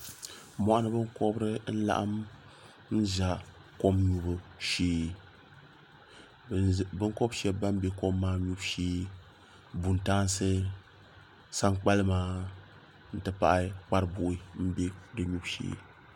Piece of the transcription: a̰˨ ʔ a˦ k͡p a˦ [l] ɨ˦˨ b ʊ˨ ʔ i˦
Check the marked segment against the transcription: incorrect: ɾ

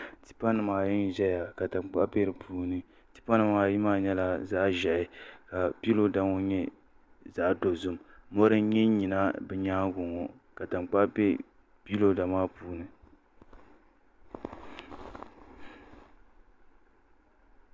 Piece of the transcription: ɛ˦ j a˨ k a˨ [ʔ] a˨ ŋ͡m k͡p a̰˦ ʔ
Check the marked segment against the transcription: incorrect: t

